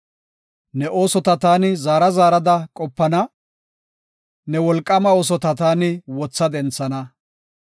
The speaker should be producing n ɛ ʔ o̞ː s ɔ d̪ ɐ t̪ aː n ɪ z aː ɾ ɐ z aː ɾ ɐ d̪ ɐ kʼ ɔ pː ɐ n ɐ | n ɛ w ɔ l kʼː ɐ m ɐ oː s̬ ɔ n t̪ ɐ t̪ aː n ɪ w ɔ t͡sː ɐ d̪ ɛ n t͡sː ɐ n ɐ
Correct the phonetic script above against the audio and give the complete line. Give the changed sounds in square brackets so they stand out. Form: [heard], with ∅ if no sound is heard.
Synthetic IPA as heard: n ɛ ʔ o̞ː s ɔ [t̪] ɐ t̪ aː n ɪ z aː ɾ ɐ z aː ɾ ɐ d̪ ɐ kʼ ɔ pː ɐ n ɐ | n ɛ w ɔ l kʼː ɐ m ɐ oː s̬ ɔ [∅] t̪ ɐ t̪ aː n ɪ w ɔ t͡sː ɐ d̪ ɛ n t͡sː ɐ n ɐ

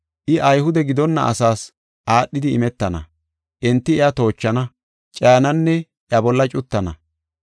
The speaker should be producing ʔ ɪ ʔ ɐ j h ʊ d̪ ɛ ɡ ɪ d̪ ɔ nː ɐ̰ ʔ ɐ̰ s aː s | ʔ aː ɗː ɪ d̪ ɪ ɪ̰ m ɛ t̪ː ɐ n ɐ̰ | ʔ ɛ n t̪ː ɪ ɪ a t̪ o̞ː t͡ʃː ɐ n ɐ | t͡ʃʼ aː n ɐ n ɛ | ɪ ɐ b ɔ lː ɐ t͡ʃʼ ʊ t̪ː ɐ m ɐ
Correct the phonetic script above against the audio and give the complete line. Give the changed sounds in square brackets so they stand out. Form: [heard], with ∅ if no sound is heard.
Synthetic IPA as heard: ʔ ɪ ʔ ɐ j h ʊ d̪ ɛ ɡ ɪ d̪ ɔ nː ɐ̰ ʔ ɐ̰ s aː s | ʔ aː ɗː ɪ d̪ ɪ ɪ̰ m ɛ t̪ː ɐ n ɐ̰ | ʔ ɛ n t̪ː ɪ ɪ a t̪ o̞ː t͡ʃː ɐ n ɐ | t͡ʃʼ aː n ɐ [nː] ɛ | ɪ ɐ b ɔ lː ɐ t͡ʃʼ ʊ t̪ː ɐ [n] ɐ

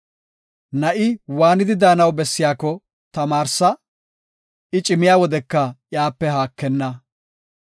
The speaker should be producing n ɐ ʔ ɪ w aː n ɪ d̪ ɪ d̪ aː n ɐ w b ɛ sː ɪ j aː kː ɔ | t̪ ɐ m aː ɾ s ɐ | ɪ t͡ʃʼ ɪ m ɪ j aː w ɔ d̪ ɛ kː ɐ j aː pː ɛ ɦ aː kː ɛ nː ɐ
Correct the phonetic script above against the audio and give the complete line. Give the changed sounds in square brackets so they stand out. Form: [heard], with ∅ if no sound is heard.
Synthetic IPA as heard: n ɐ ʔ ɪ w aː n ɪ d̪ ɪ d̪ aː n ɐ w b ɛ sː ɪ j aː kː ɔ | t̪ ɐ m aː ɾ s ɐ | ɪ t͡ʃʼ ɪ m ɪ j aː w ɔ d̪ ɛ kː ɐ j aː pː ɛ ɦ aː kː ɛ nː ɐ

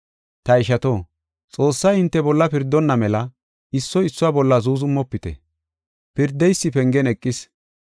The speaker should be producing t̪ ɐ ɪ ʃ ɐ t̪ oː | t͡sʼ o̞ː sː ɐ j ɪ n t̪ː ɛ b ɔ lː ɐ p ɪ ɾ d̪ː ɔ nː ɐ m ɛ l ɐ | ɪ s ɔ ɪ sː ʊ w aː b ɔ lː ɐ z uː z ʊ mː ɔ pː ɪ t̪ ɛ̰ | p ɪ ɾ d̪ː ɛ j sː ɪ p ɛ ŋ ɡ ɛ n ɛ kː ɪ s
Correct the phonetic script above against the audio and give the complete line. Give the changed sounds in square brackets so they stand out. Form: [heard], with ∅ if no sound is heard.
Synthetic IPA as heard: t̪ ɐ ɪ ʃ ɐ t̪ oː | t͡sʼ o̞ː sː ɐ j ɪ n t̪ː ɛ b ɔ lː ɐ p ɪ ɾ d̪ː ɔ nː ɐ m ɛ l ɐ | ɪ [sː] ɔ ɪ sː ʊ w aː b ɔ lː ɐ z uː z ʊ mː ɔ pː ɪ t̪ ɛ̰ | p ɪ ɾ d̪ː ɛ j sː ɪ p ɛ ŋ ɡ ɛ n ɛ [kʼː] ɪ s

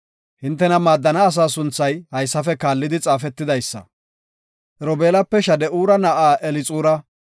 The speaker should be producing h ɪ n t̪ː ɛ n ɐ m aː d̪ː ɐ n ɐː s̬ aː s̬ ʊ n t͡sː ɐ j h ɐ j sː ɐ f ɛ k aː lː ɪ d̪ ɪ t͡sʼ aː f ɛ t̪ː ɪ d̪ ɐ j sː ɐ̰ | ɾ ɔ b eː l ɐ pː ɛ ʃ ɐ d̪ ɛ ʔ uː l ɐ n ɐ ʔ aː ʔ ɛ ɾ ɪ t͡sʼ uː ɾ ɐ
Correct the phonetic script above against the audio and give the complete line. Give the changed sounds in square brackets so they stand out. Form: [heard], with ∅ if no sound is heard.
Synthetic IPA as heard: h ɪ n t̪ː ɛ n ɐ m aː d̪ː ɐ n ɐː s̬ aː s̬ ʊ n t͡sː ɐ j h ɐ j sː ɐ f ɛ k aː lː ɪ d̪ ɪ t͡sʼ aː f ɛ t̪ː ɪ d̪ ɐ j sː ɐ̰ | ɾ ɔ b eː l ɐ pː ɛ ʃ ɐ d̪ ɛ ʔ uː [ɾ] ɐ n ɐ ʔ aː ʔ ɛ [l] ɪ t͡sʼ uː ɾ ɐ

